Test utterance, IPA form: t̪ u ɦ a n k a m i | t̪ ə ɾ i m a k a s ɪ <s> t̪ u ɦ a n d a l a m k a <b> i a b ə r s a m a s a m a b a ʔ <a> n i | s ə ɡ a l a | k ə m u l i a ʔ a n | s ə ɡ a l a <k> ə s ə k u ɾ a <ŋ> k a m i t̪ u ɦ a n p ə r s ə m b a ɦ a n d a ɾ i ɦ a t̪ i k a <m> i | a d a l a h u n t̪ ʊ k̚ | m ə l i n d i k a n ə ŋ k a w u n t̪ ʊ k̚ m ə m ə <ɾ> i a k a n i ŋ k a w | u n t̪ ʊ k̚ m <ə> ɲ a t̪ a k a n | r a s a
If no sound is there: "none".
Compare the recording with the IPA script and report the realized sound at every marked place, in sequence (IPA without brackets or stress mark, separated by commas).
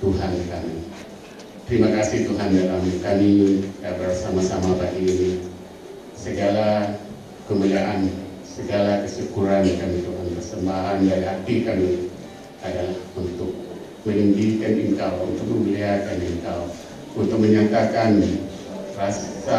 h, m, i, k, n, m, l, ə